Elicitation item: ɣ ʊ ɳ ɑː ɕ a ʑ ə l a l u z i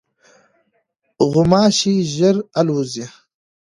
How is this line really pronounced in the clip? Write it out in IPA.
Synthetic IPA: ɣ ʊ m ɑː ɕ i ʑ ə ɾ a l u z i

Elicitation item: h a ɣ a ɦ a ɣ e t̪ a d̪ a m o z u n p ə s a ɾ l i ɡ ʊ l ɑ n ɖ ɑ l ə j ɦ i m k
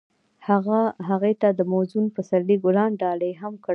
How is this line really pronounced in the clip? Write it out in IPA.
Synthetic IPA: h a ɣ a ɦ a ɣ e t̪ a d̪ ə m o z u n p ə s a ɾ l i ɡ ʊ l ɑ n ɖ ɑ l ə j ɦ a m k

